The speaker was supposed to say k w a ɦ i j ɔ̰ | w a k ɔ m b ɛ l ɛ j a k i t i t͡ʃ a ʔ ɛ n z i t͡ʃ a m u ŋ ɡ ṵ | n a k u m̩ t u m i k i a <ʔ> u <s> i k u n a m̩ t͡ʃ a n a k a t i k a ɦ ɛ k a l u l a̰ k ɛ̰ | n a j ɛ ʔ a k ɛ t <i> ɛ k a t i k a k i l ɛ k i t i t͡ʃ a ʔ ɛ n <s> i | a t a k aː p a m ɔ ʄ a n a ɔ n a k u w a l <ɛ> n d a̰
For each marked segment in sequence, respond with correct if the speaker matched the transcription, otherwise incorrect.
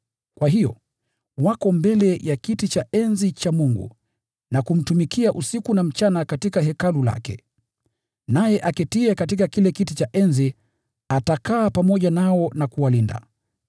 correct, correct, correct, incorrect: z, incorrect: i

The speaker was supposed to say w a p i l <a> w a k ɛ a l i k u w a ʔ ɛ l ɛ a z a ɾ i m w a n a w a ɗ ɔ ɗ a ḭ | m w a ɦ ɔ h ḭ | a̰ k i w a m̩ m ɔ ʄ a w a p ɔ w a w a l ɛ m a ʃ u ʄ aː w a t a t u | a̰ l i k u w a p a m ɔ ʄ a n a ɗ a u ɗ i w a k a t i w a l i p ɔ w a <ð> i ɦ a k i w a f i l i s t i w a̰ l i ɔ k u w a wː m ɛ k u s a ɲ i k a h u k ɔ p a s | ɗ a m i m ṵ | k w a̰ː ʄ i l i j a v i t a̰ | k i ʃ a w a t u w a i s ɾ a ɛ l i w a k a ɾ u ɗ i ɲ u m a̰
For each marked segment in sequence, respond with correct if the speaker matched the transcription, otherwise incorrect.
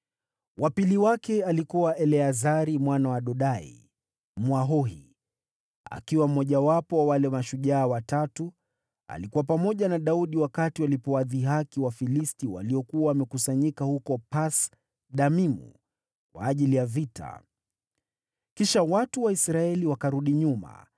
incorrect: i, correct

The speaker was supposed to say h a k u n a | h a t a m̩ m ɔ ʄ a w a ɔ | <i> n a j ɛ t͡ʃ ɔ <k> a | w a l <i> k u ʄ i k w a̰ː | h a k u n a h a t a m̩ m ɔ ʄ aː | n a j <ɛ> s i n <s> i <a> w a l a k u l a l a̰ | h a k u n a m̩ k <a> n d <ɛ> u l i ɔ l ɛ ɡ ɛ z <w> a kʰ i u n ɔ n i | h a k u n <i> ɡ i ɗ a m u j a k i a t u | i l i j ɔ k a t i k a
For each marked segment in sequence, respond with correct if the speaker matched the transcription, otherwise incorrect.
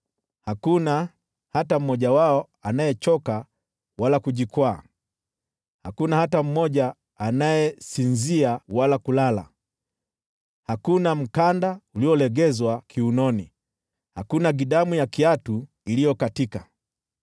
incorrect: a, correct, incorrect: a, correct, incorrect: z, correct, correct, incorrect: a, correct, incorrect: a

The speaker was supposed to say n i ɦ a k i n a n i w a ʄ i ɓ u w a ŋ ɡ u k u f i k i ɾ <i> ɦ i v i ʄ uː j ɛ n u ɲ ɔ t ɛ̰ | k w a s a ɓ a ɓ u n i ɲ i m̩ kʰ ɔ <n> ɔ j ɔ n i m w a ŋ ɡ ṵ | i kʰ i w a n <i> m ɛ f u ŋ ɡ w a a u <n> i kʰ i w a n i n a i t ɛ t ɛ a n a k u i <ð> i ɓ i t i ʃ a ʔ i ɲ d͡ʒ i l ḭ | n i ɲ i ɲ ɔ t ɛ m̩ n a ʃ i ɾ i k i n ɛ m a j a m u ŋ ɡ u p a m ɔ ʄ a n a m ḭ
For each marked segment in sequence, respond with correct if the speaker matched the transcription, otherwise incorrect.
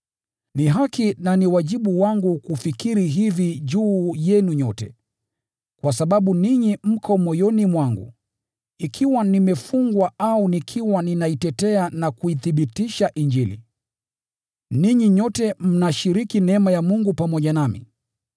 correct, incorrect: m, correct, correct, incorrect: θ

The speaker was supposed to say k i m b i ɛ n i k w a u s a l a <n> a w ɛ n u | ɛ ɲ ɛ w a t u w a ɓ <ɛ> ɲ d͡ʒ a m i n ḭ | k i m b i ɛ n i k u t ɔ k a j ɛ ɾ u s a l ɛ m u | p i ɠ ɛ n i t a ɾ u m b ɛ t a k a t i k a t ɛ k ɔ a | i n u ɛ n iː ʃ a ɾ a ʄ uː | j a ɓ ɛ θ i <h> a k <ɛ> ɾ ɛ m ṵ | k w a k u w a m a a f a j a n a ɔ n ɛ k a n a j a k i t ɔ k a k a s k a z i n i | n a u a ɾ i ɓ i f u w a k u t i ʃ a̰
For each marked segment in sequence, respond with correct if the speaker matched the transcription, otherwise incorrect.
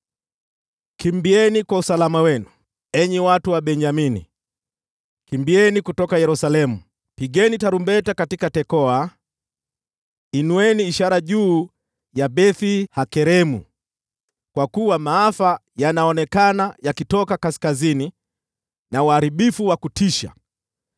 incorrect: m, correct, correct, correct

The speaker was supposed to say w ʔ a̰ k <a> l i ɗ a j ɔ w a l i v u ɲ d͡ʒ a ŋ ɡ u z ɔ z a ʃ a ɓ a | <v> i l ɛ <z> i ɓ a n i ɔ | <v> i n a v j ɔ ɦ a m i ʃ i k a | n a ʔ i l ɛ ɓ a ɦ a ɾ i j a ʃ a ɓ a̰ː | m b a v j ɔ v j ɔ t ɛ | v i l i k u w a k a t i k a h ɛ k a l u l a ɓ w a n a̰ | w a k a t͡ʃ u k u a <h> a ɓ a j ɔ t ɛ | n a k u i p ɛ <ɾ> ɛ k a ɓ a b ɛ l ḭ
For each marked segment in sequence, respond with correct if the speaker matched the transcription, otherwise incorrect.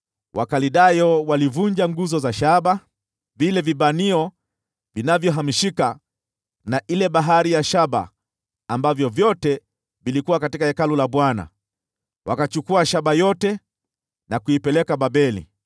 correct, correct, incorrect: v, correct, incorrect: ʃ, incorrect: l

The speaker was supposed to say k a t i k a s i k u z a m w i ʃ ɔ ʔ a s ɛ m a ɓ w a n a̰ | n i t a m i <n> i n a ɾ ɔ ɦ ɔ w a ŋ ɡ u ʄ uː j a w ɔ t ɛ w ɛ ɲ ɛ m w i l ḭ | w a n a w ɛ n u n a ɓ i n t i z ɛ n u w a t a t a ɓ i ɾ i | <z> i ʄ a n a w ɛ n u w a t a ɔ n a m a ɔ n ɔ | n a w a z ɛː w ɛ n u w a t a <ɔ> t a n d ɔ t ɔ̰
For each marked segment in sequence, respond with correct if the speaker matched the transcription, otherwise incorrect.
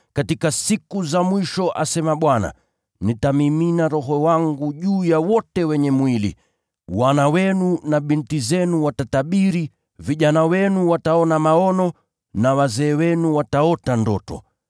incorrect: m, incorrect: v, correct

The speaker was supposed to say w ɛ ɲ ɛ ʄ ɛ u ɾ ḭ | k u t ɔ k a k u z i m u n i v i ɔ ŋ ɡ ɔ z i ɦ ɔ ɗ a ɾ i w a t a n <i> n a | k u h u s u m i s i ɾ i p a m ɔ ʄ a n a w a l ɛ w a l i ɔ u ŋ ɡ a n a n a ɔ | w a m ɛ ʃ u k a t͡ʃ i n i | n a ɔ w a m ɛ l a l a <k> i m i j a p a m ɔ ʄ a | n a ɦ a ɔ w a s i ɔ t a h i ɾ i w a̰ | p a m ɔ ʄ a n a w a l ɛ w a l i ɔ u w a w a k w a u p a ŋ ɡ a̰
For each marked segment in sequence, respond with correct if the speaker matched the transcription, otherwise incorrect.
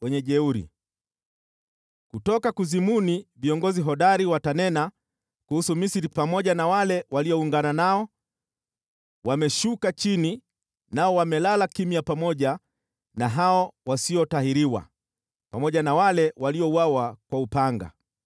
incorrect: ɛ, correct

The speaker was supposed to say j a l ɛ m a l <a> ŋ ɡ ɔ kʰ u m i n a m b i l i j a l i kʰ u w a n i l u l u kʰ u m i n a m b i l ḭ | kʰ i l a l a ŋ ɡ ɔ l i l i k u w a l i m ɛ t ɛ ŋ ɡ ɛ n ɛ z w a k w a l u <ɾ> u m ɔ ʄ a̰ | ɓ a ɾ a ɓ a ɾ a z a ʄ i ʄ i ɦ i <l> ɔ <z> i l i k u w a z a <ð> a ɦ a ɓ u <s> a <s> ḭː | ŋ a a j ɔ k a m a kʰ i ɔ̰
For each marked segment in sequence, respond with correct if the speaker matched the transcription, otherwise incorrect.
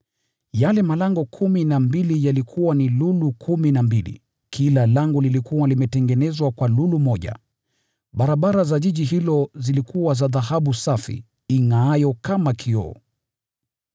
correct, incorrect: l, correct, correct, correct, correct, incorrect: f

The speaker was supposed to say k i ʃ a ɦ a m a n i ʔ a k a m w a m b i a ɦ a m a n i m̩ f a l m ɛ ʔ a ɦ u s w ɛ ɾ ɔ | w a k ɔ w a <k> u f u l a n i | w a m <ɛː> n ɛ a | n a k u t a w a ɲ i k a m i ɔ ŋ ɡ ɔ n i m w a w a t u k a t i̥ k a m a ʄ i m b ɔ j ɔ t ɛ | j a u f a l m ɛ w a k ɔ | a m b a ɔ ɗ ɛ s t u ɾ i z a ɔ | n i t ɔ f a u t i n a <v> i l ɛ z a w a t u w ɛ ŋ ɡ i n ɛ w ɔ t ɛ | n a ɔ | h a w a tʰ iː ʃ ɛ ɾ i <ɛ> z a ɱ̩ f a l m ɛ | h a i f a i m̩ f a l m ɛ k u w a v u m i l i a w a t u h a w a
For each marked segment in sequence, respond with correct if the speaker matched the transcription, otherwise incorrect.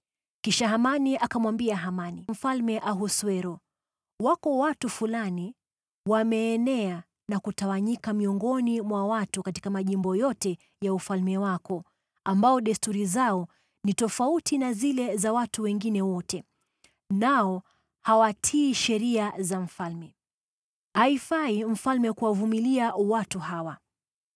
incorrect: t, correct, incorrect: z, incorrect: a

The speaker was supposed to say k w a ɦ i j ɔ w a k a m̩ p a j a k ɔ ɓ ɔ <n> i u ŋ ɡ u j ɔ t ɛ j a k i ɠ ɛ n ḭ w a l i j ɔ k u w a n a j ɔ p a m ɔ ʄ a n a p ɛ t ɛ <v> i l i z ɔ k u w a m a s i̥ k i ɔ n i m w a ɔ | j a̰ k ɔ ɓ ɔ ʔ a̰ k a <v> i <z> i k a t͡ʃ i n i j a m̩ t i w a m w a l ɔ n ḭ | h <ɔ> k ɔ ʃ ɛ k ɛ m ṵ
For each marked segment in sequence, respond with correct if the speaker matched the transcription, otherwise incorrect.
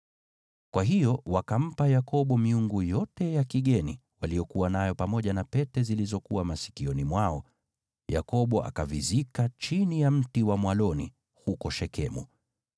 incorrect: m, incorrect: z, correct, correct, incorrect: u

